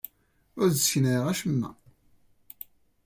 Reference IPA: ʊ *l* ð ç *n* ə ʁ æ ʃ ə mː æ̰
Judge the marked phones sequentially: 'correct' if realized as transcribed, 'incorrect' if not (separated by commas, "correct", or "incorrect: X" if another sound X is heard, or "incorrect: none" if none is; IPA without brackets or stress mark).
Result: incorrect: ɾ, correct